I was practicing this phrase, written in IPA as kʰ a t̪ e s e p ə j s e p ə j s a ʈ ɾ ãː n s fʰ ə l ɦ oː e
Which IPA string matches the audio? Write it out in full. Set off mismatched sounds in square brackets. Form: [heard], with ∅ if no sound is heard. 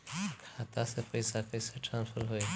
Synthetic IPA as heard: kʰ a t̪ [a] s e p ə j s [a] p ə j s a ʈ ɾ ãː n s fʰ ə [ɾ] ɦ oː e